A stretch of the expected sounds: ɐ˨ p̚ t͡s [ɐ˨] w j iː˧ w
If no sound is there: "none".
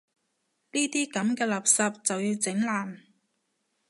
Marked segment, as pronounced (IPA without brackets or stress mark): ɐ˨